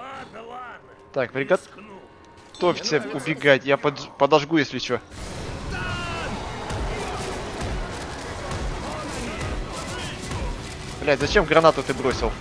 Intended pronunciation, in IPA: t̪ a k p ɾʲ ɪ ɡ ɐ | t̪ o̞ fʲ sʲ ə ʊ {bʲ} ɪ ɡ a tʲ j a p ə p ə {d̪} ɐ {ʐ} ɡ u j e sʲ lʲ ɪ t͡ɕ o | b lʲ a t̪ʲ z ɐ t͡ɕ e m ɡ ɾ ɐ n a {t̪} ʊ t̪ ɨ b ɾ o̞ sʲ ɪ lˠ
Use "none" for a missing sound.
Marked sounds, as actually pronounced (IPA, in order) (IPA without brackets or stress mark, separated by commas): bʲ, d̪, ʐ, t̪